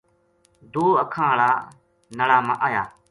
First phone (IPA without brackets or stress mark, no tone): d̪